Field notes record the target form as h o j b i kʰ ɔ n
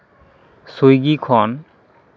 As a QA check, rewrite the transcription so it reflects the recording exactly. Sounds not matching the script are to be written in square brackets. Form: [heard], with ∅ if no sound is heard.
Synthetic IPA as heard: [s] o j [ɡ] i kʰ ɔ n